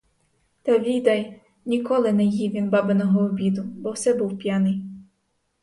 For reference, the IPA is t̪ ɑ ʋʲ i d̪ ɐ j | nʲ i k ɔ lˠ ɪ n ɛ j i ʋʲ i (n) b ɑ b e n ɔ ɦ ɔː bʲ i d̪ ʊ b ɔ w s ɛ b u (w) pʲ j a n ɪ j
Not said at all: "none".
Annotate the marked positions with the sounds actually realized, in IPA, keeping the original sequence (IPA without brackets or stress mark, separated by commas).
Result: n, w